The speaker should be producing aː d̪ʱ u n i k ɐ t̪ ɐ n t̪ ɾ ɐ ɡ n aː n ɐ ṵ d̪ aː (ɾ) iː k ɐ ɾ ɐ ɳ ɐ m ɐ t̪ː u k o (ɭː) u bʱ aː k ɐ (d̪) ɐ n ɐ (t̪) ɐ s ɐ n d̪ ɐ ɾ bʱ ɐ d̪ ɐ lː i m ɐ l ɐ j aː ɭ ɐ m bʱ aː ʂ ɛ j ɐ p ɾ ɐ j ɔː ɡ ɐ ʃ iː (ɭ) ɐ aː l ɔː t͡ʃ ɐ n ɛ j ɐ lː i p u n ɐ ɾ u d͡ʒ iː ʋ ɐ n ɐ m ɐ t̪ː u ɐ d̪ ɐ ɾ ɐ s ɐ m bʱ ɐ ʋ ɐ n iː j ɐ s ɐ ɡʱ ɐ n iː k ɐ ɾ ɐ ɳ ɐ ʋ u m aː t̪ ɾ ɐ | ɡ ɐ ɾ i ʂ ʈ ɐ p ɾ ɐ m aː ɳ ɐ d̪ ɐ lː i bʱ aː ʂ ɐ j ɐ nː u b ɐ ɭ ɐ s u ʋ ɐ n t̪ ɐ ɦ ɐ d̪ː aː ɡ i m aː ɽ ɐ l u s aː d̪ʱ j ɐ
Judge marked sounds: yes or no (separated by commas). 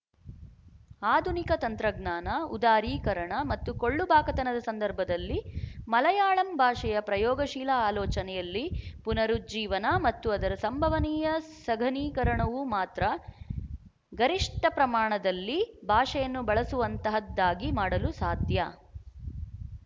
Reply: yes, yes, no, no, no